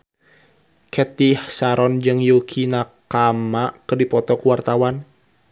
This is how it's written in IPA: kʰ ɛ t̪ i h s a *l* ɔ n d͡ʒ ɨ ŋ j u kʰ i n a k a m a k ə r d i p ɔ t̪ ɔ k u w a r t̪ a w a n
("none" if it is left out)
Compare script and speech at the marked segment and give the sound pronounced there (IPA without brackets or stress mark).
ɾ